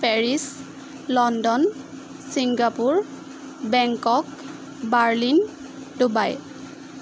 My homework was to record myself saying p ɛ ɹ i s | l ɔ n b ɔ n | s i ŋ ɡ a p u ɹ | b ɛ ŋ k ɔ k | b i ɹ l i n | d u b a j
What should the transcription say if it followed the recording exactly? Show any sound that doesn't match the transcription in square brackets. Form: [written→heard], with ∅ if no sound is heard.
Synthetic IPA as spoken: p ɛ ɹ i s | l ɔ n [b→d] ɔ n | s i ŋ ɡ a p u ɹ | b ɛ ŋ k ɔ k | b [i→a] ɹ l i n | d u b a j